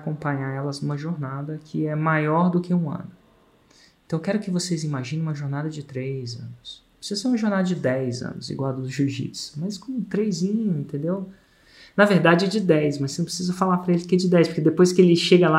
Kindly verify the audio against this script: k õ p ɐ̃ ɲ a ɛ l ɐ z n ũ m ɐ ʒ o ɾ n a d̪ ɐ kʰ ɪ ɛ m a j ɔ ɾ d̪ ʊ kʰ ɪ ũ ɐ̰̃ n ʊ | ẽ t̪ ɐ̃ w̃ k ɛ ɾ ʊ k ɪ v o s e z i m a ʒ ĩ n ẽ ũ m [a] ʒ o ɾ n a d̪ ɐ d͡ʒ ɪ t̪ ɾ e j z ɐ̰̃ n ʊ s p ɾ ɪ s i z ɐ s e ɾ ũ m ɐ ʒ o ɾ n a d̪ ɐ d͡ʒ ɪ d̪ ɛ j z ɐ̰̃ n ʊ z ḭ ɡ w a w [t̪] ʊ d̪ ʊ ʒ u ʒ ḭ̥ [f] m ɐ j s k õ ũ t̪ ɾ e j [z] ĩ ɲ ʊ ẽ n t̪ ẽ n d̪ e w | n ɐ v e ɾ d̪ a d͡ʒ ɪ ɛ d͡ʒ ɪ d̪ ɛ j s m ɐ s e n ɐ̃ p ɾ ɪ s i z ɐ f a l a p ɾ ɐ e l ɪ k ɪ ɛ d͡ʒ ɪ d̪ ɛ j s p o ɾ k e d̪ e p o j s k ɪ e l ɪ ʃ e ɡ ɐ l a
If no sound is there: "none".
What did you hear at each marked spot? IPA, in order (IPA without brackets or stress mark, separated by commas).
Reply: ɐ, d̪, s, z